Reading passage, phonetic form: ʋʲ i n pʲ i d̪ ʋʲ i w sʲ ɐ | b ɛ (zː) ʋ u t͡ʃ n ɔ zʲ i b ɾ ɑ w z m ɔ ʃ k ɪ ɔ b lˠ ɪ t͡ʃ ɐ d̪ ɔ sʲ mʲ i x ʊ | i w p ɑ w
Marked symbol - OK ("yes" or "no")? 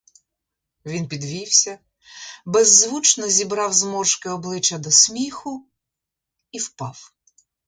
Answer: yes